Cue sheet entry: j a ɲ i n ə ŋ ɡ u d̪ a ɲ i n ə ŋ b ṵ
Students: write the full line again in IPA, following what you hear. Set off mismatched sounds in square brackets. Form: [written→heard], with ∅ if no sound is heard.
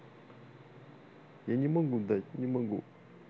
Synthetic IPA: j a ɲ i [n→m] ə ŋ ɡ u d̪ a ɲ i [n→m] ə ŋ [b→ɡ] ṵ